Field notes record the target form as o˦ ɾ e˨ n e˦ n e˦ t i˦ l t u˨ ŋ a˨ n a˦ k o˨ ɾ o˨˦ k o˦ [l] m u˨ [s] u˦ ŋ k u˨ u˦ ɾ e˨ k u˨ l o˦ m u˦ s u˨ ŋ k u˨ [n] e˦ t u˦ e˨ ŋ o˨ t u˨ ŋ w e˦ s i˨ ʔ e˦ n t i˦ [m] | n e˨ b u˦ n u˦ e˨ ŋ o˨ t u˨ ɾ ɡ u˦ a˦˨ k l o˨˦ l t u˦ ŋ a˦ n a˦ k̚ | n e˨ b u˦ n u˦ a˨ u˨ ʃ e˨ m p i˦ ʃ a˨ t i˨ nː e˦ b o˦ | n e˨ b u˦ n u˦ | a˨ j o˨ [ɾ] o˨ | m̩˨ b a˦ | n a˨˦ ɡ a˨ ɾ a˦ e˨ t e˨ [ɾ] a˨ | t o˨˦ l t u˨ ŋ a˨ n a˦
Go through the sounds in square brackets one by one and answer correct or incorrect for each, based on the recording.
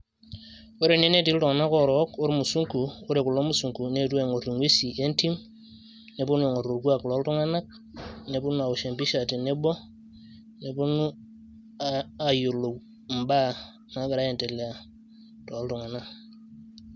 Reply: incorrect: ɾ, correct, correct, correct, incorrect: l, incorrect: l

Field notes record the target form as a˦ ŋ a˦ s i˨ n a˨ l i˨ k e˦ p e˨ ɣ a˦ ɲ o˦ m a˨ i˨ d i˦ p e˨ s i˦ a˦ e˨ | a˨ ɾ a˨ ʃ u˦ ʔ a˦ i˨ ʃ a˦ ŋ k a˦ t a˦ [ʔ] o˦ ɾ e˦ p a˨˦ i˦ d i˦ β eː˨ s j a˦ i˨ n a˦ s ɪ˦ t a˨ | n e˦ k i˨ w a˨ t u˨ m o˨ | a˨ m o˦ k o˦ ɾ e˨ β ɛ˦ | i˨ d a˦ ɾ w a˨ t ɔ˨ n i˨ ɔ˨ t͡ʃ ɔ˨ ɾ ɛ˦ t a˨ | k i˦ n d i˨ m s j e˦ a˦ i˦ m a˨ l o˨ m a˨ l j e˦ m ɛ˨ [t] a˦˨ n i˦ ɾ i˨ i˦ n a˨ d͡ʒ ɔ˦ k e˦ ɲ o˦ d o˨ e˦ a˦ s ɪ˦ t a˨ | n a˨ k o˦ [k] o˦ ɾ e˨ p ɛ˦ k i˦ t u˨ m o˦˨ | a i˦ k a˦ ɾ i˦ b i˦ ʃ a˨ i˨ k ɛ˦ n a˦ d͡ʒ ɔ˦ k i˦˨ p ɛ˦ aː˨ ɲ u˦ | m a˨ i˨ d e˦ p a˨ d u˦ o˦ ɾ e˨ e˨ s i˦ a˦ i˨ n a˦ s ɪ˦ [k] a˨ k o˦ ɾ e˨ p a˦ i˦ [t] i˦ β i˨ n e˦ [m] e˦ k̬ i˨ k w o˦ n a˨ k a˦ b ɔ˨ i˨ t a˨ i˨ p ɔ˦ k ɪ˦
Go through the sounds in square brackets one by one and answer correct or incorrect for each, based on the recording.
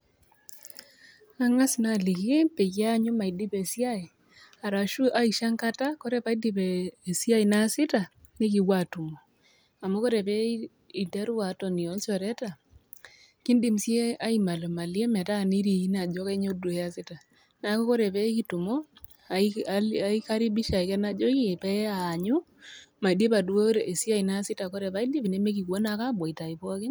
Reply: incorrect: k, correct, correct, incorrect: t, incorrect: d, correct

